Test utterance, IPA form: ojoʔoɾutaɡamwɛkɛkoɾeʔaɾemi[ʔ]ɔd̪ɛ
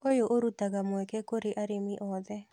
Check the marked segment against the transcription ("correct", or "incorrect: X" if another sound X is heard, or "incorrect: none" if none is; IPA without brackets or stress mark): correct